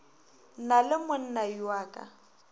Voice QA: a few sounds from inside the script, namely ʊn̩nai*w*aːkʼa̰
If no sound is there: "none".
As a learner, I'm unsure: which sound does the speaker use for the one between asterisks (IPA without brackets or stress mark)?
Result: w